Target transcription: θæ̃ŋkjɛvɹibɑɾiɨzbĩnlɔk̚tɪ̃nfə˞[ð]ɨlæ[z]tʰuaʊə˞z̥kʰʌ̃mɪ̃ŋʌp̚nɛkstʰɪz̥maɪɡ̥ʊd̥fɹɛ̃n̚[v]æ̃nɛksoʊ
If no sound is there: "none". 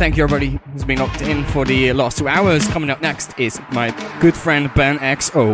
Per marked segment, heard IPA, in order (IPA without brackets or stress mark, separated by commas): ð, s, b